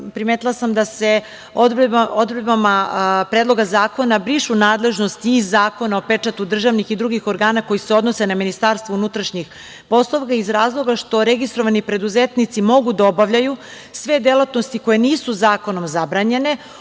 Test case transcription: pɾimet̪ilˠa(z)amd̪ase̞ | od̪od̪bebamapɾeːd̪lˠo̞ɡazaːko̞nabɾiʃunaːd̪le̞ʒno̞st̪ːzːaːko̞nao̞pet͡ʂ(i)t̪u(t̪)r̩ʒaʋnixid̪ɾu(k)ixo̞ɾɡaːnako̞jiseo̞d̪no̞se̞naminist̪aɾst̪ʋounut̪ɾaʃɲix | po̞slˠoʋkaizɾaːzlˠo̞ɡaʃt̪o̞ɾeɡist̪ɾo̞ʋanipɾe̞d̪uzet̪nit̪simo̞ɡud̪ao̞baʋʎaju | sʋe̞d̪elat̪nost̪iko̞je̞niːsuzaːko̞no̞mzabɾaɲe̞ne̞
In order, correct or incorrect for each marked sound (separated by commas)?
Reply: incorrect, incorrect, incorrect, incorrect